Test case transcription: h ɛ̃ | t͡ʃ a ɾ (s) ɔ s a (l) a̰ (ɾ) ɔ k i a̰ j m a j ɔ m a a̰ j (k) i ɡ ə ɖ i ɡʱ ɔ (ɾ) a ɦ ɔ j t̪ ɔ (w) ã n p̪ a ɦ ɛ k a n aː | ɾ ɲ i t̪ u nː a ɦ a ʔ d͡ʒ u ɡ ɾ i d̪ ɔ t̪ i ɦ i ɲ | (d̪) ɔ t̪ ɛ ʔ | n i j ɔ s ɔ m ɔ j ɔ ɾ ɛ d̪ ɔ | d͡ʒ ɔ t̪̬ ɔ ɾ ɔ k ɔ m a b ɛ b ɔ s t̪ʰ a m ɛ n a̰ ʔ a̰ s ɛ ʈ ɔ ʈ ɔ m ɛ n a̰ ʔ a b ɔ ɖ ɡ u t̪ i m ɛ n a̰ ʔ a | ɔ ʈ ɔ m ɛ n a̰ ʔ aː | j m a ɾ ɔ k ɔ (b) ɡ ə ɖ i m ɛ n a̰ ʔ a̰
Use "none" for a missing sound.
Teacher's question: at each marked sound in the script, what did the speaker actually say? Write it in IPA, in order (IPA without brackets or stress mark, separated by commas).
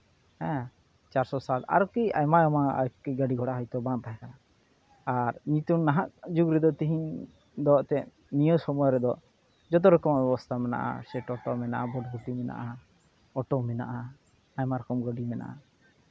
s, l, ɾ, k, ɽ, b, d̪, m